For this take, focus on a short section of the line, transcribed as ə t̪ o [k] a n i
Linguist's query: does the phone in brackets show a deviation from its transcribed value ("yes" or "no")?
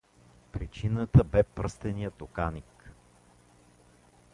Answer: no